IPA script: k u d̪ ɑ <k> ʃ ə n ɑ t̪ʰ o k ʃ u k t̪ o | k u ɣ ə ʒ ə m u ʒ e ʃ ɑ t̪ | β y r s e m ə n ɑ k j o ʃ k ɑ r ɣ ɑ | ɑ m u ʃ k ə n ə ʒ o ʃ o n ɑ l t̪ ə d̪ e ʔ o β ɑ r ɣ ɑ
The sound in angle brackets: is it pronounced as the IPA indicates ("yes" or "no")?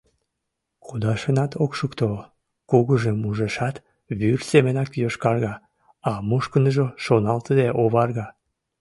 no